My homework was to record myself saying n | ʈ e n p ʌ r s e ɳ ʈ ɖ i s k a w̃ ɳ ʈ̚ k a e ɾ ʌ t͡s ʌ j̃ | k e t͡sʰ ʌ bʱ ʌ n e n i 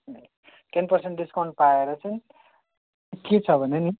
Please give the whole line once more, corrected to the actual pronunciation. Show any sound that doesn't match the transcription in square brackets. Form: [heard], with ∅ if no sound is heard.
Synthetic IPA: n | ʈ e n p ʌ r s e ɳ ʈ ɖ i s k a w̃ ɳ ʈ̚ [p] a e ɾ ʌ t͡s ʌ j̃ | k e t͡sʰ ʌ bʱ ʌ n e n i

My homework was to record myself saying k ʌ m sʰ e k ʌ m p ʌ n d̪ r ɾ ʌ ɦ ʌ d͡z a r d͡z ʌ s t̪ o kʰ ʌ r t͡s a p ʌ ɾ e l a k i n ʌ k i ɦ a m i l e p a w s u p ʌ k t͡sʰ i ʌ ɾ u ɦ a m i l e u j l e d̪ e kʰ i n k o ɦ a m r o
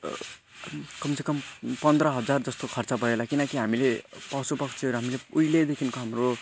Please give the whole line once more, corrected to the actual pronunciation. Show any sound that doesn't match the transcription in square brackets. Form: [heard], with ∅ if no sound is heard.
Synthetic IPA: k ʌ m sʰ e k ʌ m p ʌ n d̪ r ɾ ʌ ɦ ʌ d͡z a r d͡z ʌ s t̪ o kʰ ʌ r t͡s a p ʌ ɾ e l a k i n ʌ k i ɦ a m i l e p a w s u p ʌ k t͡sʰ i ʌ ɾ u ɦ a m i l e u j l e d̪ e kʰ i n k o ɦ a m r o

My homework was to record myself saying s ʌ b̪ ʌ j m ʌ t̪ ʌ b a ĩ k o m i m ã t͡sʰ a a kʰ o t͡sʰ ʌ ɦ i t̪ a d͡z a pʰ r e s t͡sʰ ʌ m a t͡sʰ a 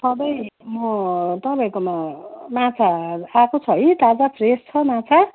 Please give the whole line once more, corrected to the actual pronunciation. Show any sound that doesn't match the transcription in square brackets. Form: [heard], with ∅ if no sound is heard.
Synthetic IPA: s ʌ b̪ ʌ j m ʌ t̪ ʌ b a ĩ k o m [a] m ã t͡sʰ a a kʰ o t͡sʰ ʌ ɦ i t̪ a d͡z a pʰ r e s t͡sʰ ʌ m a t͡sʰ a

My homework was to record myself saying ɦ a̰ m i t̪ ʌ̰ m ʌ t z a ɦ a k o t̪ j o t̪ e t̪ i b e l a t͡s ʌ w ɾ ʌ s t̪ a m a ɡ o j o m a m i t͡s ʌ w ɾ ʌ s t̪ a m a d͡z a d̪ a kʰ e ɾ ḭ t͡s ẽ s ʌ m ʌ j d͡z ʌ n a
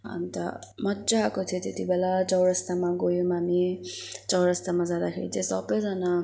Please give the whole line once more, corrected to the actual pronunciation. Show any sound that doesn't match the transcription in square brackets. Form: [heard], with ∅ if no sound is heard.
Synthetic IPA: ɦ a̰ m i t̪ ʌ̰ m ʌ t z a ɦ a k o [t̪ʰ] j o t̪ e t̪ i b e l a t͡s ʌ w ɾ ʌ s t̪ a m a ɡ o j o m a m i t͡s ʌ w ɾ ʌ s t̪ a m a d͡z a d̪ a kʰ e ɾ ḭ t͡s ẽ s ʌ [b] ʌ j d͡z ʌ n a

